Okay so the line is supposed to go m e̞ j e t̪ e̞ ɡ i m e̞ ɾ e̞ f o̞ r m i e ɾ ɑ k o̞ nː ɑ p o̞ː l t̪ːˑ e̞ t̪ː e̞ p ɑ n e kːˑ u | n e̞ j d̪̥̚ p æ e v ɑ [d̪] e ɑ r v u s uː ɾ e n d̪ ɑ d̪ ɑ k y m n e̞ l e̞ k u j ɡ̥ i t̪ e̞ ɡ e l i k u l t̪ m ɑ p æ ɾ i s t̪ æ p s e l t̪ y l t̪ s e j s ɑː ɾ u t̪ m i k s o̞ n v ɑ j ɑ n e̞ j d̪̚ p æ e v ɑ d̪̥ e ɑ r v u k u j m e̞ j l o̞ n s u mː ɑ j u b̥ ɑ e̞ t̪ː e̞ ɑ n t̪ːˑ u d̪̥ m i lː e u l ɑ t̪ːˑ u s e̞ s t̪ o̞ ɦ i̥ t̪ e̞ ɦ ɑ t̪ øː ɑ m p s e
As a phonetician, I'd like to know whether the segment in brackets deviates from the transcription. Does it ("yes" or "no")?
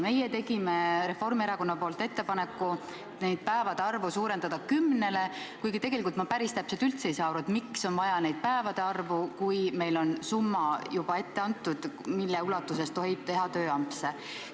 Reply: no